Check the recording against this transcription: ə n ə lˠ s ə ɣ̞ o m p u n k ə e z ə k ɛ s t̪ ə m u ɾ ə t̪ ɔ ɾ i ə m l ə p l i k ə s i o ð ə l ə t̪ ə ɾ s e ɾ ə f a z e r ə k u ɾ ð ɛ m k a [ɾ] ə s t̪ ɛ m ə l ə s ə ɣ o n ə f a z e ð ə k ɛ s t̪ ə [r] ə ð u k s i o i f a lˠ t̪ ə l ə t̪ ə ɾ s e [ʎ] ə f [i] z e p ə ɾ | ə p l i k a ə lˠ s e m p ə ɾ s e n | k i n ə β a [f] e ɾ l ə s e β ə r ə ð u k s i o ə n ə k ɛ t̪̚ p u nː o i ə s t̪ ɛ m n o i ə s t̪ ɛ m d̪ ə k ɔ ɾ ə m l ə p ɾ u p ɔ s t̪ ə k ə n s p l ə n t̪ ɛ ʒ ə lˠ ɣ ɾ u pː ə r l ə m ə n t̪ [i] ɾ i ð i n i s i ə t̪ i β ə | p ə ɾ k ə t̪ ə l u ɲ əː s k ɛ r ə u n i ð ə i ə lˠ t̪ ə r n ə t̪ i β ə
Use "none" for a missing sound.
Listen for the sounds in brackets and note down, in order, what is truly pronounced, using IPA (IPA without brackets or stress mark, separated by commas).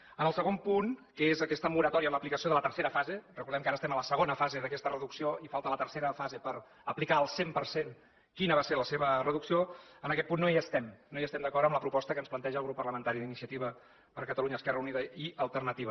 ɾ, r, ɾ, a, s, a